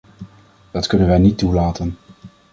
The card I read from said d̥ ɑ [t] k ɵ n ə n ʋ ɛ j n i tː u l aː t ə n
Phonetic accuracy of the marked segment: correct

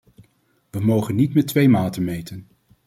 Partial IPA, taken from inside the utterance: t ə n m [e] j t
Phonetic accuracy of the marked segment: correct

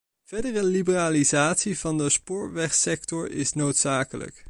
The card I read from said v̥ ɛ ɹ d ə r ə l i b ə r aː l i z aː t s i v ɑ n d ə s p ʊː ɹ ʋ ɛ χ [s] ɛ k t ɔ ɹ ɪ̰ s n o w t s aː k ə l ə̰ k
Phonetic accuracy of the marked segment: correct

